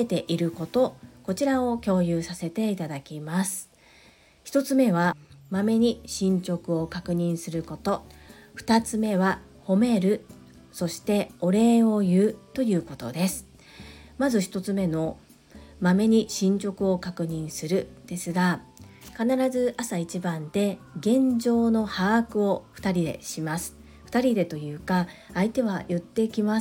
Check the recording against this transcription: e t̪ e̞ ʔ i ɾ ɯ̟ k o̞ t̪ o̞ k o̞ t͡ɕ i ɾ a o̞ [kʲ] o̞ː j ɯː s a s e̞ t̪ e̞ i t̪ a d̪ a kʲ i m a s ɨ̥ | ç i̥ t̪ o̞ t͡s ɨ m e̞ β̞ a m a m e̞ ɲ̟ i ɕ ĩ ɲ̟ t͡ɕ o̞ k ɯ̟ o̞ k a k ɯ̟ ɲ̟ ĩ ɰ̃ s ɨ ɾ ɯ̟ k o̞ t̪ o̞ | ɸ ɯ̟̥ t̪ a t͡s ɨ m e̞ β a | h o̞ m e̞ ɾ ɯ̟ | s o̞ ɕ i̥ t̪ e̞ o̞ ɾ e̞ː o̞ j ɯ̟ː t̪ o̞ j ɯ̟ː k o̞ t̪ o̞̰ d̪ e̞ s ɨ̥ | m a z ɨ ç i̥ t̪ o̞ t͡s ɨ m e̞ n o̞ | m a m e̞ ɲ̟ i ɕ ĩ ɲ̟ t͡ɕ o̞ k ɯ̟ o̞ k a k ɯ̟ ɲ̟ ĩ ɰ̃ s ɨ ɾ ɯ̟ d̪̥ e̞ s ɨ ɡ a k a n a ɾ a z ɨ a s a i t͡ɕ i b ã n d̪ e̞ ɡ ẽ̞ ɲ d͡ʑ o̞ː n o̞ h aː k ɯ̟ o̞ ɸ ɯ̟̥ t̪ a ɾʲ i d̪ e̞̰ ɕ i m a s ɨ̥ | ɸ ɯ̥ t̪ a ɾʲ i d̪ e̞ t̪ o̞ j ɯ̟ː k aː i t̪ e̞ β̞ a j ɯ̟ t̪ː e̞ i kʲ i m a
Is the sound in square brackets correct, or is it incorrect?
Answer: correct